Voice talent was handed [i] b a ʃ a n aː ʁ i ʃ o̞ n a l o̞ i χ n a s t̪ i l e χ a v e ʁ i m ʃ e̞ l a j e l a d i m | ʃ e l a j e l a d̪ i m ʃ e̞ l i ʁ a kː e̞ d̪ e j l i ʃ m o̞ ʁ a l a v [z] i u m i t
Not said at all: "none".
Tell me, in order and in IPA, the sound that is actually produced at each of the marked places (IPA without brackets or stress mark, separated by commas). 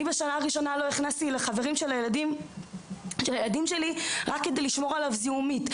i, z